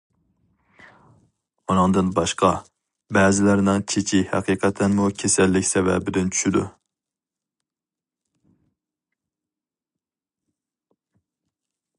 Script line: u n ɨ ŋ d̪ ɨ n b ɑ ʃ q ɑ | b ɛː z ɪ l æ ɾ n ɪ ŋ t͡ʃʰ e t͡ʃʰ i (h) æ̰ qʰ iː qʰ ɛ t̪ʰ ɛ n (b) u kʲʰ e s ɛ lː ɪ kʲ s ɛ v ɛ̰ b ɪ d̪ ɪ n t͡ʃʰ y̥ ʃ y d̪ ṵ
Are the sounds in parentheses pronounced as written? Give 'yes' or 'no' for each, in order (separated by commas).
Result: yes, no